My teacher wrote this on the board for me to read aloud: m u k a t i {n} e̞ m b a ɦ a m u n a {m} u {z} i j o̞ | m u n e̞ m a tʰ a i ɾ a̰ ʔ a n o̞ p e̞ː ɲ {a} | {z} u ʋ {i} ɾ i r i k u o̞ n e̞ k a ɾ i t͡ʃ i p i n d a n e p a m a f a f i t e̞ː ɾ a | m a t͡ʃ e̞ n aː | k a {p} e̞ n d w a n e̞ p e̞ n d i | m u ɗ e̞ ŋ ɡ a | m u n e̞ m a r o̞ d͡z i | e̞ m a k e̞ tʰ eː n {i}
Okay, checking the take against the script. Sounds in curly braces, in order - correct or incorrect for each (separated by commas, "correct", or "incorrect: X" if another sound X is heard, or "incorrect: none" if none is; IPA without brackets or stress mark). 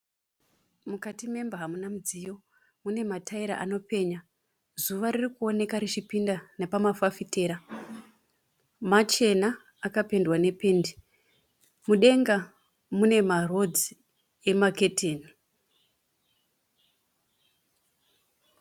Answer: incorrect: m, correct, incorrect: d͡z, correct, correct, incorrect: a, correct, correct